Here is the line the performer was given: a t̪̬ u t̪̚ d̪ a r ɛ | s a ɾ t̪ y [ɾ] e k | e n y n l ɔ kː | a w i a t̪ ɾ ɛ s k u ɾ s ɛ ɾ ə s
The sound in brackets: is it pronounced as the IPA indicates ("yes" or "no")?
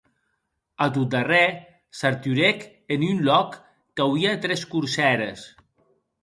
yes